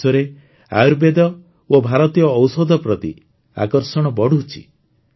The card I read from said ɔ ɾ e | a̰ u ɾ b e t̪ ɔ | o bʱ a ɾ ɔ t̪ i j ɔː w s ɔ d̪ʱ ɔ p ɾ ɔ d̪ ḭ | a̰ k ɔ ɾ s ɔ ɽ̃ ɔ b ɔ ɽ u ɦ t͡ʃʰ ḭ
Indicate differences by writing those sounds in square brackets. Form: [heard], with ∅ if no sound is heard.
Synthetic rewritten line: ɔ ɾ e | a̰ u ɾ b e [d̪] ɔ | o bʱ a ɾ ɔ t̪ i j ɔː w s ɔ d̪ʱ ɔ p ɾ ɔ [t̪] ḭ | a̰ k ɔ ɾ s ɔ ɽ̃ ɔ b ɔ ɽ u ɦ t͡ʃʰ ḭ